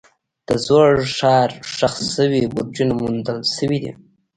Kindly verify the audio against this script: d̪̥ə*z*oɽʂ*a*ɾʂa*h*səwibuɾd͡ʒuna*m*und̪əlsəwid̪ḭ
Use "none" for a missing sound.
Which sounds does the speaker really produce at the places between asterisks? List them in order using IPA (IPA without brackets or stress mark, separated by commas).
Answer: z, ɑ, x, m